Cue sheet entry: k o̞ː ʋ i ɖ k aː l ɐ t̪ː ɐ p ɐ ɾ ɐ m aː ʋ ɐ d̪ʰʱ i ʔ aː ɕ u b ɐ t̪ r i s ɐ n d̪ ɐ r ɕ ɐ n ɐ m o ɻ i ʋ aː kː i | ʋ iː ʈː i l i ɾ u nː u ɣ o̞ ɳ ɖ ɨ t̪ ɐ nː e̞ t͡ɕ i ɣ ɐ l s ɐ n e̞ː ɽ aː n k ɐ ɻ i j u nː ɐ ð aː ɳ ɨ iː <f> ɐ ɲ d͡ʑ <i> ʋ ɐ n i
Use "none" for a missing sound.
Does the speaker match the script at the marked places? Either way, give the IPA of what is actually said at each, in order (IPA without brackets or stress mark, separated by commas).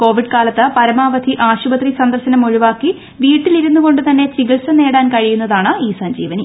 s, iː